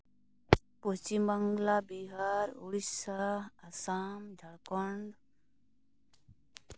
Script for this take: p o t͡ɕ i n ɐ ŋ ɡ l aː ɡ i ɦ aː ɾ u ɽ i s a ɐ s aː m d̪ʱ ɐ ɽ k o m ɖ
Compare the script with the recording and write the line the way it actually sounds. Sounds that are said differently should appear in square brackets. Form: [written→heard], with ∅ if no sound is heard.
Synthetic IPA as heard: p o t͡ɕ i [n→m] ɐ ŋ ɡ l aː [ɡ→b] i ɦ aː ɾ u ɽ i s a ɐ s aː m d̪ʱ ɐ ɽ k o [m→ɳ] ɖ